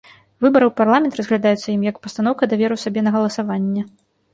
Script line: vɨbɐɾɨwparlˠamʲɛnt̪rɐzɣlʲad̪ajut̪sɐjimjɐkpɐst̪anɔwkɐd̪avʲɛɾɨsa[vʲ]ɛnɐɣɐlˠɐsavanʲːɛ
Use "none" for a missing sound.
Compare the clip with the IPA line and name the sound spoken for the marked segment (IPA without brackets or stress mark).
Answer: bʲ